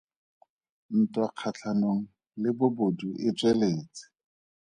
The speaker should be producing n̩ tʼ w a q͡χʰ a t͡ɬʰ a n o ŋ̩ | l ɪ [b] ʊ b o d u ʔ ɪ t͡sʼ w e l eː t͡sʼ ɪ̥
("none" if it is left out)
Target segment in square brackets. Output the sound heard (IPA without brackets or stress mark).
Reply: b